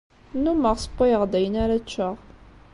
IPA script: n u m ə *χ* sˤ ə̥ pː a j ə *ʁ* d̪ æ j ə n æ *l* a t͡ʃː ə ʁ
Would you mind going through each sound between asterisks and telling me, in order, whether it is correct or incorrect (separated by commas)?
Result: incorrect, correct, incorrect